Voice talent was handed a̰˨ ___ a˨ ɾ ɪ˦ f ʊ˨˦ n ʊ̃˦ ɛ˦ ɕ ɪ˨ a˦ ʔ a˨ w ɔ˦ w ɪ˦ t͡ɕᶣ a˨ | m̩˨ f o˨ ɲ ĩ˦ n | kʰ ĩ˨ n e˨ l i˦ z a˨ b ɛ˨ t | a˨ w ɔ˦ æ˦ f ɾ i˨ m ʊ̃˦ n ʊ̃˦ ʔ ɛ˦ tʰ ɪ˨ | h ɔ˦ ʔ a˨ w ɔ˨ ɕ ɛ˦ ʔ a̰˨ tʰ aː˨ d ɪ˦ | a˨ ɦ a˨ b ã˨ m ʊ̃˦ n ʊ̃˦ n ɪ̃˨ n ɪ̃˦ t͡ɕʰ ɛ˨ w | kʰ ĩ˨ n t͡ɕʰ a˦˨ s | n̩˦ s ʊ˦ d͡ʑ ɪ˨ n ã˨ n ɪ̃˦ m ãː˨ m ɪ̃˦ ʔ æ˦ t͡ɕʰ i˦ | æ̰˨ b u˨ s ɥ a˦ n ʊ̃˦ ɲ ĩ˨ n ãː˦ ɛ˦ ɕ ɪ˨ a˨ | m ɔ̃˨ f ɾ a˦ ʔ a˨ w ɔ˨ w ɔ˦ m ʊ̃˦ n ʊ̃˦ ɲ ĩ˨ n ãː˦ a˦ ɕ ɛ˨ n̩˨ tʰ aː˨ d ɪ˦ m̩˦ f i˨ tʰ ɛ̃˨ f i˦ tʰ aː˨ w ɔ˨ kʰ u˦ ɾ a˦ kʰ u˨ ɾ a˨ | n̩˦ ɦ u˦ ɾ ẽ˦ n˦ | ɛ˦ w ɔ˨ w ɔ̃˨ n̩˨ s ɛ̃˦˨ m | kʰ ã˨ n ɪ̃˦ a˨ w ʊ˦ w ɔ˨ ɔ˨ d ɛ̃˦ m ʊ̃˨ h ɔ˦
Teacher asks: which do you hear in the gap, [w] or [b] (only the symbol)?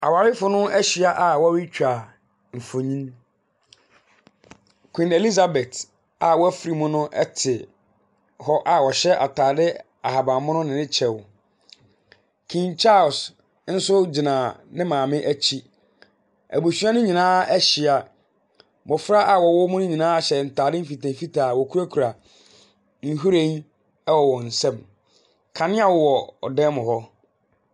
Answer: w